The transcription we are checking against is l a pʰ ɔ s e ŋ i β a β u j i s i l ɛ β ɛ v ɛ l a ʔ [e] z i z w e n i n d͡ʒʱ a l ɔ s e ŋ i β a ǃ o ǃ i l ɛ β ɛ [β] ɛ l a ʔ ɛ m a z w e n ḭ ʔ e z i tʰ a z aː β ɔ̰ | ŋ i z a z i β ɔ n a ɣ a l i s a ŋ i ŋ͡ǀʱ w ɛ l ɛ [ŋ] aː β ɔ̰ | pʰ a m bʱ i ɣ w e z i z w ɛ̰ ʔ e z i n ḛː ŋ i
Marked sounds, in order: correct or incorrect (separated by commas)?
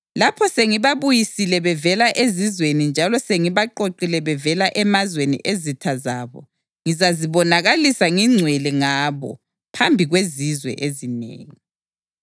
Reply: correct, incorrect, correct